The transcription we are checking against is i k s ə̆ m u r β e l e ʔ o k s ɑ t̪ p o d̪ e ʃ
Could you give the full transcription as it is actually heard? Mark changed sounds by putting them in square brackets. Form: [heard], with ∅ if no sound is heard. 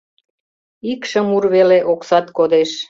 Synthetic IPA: i k [ʃ] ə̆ m u r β e l e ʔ o k s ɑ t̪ [k] o d̪ e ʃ